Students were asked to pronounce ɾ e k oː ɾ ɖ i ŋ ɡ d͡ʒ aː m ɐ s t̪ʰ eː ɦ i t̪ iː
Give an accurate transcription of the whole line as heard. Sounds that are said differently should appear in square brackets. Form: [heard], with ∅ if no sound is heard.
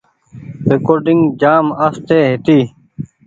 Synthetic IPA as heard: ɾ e k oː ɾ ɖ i ŋ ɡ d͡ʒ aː m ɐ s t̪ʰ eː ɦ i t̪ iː